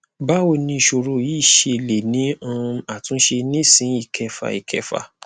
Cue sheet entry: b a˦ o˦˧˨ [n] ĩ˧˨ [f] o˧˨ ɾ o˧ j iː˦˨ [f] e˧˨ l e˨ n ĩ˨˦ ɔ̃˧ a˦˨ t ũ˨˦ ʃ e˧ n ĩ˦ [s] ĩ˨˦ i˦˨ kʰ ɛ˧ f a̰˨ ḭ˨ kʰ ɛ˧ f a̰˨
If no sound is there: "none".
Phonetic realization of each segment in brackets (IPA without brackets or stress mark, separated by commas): n, ʃ, ʃ, s